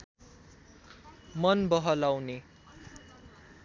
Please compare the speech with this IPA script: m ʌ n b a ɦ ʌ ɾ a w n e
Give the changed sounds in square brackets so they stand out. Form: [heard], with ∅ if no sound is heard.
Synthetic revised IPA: m ʌ n b [ʌ] ɦ ʌ [l] a w n e